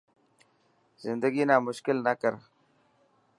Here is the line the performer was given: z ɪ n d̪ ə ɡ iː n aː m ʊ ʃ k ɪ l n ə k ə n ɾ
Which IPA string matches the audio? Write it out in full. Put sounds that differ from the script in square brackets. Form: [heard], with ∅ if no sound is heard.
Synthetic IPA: z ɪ n d̪ ə ɡ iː n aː m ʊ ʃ k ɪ l n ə k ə [∅] ɾ